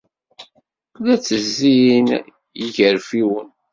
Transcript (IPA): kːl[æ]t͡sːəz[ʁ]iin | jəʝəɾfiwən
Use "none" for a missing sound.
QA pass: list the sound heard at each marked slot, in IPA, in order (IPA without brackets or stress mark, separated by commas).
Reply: æ, z